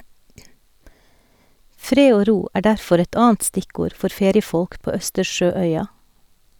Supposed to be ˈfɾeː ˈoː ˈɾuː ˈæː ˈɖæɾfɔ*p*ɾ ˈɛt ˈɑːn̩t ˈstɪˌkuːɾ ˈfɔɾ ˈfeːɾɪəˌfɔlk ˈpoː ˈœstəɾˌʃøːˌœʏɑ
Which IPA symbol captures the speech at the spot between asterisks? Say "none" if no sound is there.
none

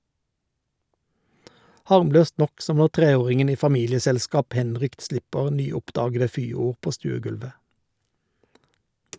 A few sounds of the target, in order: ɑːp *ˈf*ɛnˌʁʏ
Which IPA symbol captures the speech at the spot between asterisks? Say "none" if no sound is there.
h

